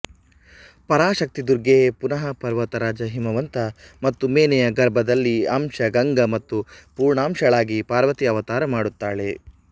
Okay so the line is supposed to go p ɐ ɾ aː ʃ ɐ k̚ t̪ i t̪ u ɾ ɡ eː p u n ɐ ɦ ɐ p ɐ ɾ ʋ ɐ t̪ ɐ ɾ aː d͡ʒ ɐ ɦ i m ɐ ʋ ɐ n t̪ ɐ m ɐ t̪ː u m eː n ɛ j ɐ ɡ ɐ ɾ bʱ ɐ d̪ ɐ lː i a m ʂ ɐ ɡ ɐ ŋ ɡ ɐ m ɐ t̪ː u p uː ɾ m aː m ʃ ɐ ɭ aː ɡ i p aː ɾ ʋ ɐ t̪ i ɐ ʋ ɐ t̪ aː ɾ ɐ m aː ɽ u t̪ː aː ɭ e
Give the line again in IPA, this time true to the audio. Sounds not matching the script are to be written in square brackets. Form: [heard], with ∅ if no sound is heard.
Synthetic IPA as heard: p ɐ ɾ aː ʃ ɐ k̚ t̪ i [d̪] u ɾ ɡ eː p u n ɐ ɦ ɐ p ɐ ɾ ʋ ɐ t̪ ɐ ɾ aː d͡ʒ ɐ ɦ i m ɐ ʋ ɐ n t̪ ɐ m ɐ t̪ː u m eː n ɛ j ɐ ɡ ɐ ɾ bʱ ɐ d̪ ɐ lː i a m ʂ ɐ ɡ ɐ ŋ ɡ ɐ m ɐ t̪ː u p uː ɾ [ɳ] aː m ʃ ɐ ɭ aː ɡ i p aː ɾ ʋ ɐ t̪ i ɐ ʋ ɐ t̪ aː ɾ ɐ m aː ɽ u t̪ː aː ɭ e